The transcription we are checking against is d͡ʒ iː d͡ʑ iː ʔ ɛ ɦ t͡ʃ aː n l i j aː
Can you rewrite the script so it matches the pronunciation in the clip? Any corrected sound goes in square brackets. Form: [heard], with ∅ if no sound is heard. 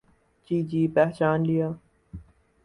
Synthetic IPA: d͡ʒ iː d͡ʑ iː [p] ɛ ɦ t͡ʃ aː n l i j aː